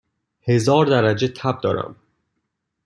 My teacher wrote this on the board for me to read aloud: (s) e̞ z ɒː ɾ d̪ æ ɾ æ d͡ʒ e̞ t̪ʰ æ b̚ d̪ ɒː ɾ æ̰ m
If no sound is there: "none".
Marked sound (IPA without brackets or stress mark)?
h